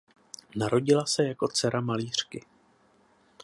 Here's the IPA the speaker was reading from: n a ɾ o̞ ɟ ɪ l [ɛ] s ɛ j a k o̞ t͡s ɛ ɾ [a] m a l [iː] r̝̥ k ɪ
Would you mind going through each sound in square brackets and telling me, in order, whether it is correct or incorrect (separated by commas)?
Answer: incorrect, correct, correct